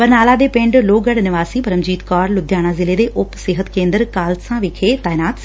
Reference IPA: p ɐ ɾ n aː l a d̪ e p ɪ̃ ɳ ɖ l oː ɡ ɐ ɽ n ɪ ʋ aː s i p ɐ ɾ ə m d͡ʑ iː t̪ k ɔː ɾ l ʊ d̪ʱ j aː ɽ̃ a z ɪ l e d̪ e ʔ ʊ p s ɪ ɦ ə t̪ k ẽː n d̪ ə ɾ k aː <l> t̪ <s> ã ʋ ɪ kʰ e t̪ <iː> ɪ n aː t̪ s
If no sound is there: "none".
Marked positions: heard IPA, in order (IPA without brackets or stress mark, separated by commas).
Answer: l, s, aː